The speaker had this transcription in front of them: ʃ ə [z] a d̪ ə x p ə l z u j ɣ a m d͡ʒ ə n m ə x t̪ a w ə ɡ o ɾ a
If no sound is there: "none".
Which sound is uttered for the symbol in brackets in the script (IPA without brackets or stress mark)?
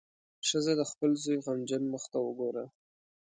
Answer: z